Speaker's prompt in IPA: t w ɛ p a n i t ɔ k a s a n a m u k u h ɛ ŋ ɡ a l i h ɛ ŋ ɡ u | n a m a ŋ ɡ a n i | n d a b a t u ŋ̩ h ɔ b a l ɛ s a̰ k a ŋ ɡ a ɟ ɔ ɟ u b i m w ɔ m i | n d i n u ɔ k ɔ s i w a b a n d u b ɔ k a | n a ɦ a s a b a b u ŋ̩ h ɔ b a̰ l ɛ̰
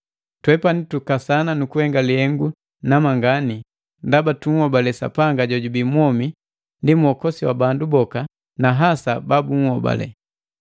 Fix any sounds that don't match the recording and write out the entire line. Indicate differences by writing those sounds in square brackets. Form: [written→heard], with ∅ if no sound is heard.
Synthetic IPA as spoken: t w ɛ p a n i t [ɔ→u] k a s a n a [m→n] u k u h ɛ ŋ ɡ a l i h ɛ ŋ ɡ u | n a m a ŋ ɡ a n i | n d a b a t u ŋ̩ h ɔ b a l ɛ s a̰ [k→p] a ŋ ɡ a ɟ ɔ ɟ u b i m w ɔ m i | n d i [n→m] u ɔ k ɔ s i w a b a n d u b ɔ k a | n a ɦ a s a b a b u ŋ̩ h ɔ b a̰ l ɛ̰